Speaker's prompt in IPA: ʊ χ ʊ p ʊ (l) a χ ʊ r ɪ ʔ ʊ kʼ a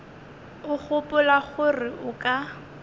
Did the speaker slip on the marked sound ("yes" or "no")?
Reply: no